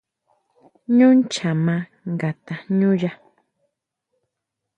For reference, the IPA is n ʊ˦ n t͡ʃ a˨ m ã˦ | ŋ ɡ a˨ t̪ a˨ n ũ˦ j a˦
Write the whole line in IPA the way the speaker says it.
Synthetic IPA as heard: ɲ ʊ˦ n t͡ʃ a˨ m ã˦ | ŋ ɡ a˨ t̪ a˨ ɲ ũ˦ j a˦